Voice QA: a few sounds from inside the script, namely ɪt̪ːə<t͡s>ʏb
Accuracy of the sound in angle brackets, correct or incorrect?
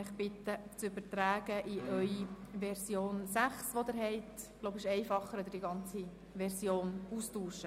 correct